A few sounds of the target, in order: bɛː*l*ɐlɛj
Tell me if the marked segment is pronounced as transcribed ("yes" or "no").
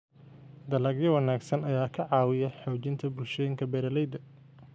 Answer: no